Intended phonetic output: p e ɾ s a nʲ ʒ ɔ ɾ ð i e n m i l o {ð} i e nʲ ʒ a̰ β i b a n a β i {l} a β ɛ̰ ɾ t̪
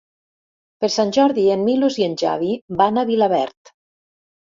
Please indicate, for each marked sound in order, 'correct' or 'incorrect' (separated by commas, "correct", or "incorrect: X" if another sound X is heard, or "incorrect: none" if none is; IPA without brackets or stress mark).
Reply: incorrect: z, correct